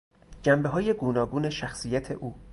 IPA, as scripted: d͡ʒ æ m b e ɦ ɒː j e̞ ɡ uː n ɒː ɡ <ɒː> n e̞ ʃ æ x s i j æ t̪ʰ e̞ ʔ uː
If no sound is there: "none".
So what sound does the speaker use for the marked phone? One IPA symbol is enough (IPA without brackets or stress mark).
uː